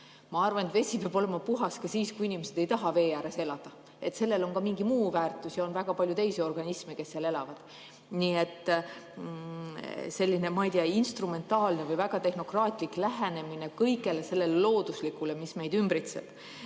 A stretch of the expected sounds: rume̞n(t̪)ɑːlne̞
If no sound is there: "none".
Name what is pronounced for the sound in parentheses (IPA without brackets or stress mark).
t̪